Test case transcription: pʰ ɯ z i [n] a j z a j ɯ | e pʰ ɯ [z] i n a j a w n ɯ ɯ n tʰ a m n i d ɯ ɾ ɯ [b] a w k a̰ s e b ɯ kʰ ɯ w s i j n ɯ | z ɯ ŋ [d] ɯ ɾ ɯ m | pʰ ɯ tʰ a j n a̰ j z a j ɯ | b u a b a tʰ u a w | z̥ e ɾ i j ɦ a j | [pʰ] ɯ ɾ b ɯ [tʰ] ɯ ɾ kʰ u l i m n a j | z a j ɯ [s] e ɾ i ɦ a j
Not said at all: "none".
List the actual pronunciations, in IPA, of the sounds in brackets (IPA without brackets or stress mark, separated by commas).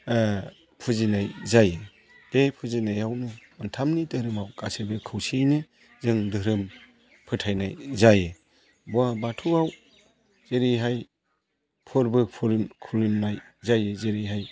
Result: n, z, m, d, pʰ, pʰ, z